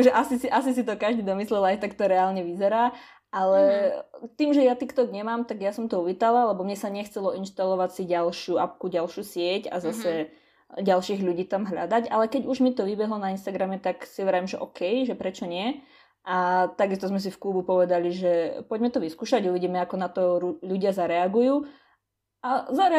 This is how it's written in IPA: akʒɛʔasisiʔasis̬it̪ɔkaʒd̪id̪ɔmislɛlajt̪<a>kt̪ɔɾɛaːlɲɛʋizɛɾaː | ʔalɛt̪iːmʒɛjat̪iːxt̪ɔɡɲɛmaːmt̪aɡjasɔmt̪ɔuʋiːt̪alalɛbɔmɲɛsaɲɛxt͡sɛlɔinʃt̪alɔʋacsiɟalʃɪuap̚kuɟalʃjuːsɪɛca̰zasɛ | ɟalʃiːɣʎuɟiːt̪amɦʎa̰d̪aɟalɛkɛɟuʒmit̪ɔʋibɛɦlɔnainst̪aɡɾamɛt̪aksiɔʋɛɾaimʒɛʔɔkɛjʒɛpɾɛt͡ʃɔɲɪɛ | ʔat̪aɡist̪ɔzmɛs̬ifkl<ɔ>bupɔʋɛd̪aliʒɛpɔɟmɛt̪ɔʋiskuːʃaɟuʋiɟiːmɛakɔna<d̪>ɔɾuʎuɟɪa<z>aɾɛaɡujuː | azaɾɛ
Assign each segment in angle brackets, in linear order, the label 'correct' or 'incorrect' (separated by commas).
correct, incorrect, incorrect, correct